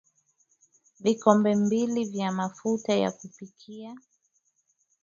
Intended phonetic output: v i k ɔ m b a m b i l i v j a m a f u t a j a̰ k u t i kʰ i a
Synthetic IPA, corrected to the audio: v i k ɔ m b ɛ m b i l i v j a m a f u t a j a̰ k u p i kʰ i a